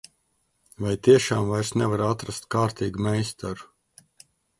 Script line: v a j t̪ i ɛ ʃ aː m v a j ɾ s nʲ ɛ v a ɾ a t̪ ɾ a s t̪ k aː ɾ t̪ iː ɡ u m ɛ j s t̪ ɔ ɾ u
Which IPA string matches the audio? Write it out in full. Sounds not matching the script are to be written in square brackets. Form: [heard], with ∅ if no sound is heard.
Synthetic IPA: v a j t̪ i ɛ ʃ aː m v a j ɾ s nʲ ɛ v a ɾ a t̪ ɾ a s t̪ k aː ɾ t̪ iː ɡ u m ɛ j s t̪ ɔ ɾ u